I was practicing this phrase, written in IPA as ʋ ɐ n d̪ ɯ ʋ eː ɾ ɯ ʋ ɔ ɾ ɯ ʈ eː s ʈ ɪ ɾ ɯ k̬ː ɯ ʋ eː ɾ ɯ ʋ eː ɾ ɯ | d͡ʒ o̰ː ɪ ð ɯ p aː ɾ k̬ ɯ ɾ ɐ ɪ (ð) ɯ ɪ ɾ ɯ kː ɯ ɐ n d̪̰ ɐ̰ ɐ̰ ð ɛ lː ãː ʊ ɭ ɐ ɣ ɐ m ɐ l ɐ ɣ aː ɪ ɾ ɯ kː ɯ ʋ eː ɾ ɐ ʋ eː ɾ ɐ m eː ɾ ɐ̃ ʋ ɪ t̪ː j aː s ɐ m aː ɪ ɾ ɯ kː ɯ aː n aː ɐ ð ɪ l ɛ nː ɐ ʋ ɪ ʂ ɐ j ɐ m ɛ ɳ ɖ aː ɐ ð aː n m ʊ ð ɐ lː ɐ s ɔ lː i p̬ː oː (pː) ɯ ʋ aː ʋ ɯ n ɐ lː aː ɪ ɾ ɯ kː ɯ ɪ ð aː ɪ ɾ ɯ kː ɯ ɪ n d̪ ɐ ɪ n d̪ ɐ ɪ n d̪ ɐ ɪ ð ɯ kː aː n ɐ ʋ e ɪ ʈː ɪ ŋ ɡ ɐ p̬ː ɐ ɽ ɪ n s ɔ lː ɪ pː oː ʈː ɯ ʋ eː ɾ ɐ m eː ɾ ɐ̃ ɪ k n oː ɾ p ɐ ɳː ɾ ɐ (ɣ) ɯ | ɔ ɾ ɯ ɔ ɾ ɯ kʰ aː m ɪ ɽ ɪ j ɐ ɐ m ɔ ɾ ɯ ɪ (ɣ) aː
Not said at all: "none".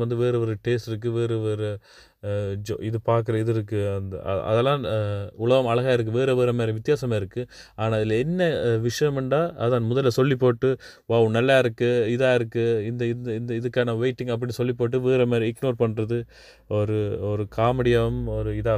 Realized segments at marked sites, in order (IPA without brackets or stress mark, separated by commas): ð, ʈː, ð, ð